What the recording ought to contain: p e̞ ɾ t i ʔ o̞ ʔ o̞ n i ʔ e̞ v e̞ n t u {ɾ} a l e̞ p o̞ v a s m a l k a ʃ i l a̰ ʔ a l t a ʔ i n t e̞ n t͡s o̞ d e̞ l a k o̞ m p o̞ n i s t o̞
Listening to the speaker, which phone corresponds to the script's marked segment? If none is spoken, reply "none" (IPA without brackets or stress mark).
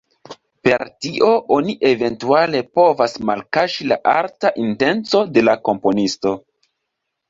none